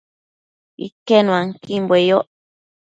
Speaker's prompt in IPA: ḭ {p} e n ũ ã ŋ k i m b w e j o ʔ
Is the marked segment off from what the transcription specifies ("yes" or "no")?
yes